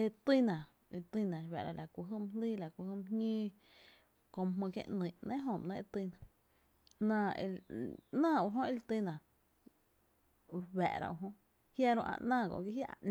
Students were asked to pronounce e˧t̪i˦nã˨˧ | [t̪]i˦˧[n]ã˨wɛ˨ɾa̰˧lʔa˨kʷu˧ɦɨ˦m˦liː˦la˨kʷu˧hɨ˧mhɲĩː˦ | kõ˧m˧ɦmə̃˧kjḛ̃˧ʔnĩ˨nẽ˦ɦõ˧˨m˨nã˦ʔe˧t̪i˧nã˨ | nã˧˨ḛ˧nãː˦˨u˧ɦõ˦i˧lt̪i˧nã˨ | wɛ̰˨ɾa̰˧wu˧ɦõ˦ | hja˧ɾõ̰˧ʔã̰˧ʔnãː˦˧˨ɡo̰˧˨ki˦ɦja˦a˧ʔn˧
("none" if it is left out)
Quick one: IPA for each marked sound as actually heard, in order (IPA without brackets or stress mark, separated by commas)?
t̪, n